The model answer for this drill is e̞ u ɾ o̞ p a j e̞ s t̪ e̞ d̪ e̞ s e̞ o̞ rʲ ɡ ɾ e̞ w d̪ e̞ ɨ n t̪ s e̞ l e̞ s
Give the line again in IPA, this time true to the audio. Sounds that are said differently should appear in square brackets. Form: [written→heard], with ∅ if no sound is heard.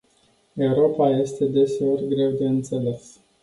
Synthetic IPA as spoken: e̞ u ɾ o̞ p a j e̞ s t̪ e̞ d̪ e̞ s e̞ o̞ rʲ ɡ ɾ e̞ w d̪ e̞ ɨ n t̪ s e̞ l e̞ s